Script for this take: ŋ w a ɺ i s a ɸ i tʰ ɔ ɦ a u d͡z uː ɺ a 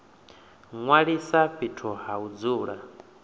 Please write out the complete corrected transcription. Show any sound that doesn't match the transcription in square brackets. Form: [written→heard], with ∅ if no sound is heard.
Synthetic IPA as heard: ŋ w a ɺ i s a ɸ i tʰ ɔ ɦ a u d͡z uː ɺ a